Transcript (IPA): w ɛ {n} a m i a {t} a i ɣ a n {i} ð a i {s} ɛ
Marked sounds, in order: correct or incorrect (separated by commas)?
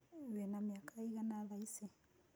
correct, incorrect, incorrect, correct